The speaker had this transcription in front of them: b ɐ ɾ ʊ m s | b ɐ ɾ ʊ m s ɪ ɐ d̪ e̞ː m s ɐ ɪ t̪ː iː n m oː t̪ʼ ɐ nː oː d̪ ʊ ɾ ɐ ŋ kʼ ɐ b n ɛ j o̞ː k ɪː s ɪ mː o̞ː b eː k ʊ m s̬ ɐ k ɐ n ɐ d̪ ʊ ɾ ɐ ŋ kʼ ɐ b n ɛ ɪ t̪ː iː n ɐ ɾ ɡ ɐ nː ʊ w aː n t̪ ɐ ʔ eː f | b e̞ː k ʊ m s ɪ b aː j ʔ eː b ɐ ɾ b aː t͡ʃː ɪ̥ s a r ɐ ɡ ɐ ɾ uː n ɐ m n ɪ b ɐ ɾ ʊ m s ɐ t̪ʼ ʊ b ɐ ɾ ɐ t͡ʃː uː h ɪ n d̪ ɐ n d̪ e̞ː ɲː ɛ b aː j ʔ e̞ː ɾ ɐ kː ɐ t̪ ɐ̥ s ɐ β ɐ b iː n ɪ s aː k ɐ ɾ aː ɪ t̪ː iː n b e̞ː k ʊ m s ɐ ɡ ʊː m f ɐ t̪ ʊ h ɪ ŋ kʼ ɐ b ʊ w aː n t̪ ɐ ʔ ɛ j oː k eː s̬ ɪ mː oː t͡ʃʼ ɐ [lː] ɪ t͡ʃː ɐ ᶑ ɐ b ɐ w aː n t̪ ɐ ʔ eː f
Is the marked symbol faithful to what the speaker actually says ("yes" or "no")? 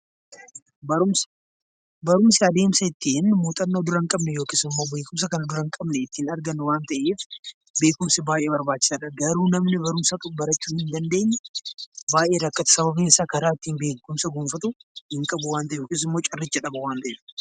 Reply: no